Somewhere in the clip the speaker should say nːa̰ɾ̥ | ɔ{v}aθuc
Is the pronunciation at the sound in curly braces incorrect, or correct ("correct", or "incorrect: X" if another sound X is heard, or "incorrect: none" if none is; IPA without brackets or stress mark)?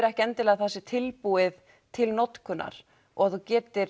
incorrect: ɣ